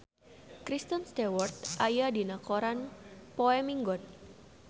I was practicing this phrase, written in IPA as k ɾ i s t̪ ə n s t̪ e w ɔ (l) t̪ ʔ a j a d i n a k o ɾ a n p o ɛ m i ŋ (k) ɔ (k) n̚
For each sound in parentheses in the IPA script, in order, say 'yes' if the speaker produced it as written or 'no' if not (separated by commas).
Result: no, no, no